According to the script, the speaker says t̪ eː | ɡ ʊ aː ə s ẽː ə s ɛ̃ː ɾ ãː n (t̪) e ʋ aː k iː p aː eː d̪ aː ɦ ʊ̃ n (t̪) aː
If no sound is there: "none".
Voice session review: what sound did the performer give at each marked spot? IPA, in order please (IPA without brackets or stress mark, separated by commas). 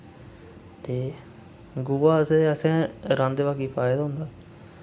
d̪, d̪